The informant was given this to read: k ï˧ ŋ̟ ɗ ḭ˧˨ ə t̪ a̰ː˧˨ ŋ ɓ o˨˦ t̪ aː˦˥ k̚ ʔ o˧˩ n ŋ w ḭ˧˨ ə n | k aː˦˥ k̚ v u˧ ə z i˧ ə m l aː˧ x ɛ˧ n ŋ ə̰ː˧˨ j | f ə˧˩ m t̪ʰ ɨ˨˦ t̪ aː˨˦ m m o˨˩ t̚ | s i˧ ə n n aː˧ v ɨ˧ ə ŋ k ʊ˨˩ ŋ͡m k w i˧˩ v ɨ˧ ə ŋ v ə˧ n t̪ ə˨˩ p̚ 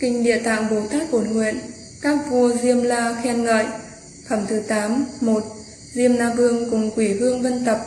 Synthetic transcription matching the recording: k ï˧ ŋ̟ ɗ ḭ˧˨ ə t̪ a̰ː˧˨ ŋ ɓ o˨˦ t̪ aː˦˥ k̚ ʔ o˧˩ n ŋ w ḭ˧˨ ə n | k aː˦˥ k̚ v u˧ ə z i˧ ə m l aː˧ x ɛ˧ n ŋ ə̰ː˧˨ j | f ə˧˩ m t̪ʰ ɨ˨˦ t̪ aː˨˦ m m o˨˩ t̚ | z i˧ ə m n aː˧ v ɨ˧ ə ŋ k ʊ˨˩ ŋ͡m k w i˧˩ v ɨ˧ ə ŋ v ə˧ n t̪ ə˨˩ p̚